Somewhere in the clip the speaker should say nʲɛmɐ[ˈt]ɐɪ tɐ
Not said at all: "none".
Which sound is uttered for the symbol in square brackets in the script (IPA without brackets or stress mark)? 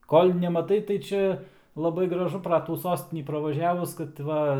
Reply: t